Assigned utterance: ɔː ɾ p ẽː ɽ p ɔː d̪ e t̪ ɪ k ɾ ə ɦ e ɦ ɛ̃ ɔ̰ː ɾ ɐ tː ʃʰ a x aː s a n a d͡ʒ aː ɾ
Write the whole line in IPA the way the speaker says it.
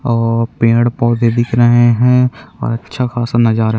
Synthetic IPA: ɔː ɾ p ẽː ɽ p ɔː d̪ e d̪ ɪ k ɾ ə ɦ e ɦ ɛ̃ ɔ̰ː ɾ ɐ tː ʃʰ a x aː s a n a d͡ʒ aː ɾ